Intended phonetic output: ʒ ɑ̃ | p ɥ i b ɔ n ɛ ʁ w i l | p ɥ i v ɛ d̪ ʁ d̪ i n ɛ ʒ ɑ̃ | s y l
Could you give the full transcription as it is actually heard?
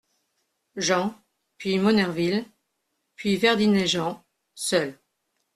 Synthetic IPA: ʒ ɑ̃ | p ɥ i m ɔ n ɛ ʁ v i l | p ɥ i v ɛ ʁ d̪ i n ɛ ʒ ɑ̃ | s œ l